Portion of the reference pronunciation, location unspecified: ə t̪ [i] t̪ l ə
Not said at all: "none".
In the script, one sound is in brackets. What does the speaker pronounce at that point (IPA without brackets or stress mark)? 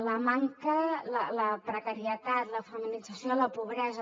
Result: a